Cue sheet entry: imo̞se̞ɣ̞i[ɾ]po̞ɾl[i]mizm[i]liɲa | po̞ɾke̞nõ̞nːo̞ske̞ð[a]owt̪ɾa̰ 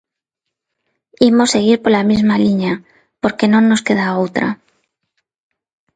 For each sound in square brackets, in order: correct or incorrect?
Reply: correct, incorrect: a, incorrect: a, correct

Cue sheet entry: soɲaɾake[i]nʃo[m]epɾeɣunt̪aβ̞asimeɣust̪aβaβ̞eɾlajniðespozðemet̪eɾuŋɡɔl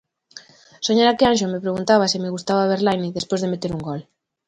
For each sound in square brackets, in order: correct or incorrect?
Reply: incorrect: a, correct

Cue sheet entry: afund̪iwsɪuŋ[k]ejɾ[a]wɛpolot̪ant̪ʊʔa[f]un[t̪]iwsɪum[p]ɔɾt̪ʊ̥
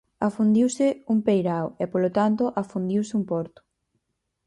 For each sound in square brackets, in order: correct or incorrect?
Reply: incorrect: p, correct, correct, incorrect: d̪, correct

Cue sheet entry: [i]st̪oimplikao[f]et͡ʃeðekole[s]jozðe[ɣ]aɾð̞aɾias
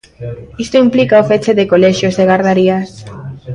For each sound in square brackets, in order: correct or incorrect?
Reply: correct, correct, incorrect: ʃ, correct

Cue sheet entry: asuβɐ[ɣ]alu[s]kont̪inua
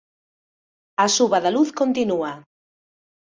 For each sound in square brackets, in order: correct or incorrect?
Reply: incorrect: ð, incorrect: θ

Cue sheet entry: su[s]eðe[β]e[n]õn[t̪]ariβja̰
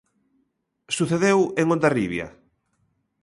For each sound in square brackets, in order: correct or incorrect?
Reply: incorrect: θ, incorrect: w, incorrect: ŋ, incorrect: d̪

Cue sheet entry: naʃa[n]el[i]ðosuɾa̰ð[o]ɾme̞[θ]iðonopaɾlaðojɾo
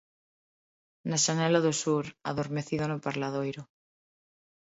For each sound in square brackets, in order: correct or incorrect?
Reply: correct, incorrect: a, correct, correct

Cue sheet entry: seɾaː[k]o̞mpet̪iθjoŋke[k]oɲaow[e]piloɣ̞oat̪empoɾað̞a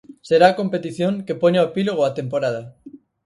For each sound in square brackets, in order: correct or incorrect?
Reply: correct, incorrect: p, correct

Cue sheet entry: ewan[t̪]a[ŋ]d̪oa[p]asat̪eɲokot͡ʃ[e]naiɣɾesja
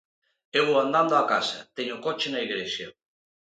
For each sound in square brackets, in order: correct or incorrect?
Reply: incorrect: d̪, incorrect: n, incorrect: k, correct

